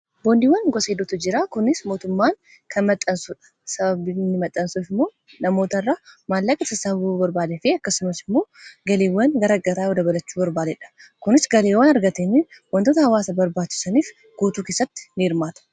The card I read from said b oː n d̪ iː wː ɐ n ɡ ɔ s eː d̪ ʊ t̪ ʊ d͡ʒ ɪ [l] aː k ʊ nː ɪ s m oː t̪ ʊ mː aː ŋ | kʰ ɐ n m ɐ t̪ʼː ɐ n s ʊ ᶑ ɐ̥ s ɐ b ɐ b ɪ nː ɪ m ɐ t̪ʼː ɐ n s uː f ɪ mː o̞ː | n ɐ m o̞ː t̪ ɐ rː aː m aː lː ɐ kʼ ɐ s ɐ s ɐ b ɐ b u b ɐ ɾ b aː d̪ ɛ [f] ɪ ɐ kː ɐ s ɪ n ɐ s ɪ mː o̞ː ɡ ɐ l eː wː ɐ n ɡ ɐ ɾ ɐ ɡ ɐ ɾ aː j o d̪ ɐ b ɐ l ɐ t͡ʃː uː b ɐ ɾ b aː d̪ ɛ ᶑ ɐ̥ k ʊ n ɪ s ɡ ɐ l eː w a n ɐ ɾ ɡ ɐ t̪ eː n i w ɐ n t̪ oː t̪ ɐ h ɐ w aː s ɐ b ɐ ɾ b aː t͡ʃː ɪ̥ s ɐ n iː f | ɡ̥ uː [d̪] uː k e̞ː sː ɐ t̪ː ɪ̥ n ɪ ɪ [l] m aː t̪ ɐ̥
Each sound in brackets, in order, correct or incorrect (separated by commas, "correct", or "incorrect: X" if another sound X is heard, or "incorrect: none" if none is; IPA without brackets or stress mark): incorrect: ɾ, correct, incorrect: t̪, incorrect: ɾ